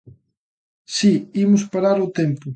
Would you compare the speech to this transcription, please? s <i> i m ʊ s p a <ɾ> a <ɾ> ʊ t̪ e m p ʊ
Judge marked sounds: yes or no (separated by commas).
yes, yes, yes